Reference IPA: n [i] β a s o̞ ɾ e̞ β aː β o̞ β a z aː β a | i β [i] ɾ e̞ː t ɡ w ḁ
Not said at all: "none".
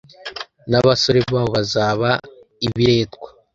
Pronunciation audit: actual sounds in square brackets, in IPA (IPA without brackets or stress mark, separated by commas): a, i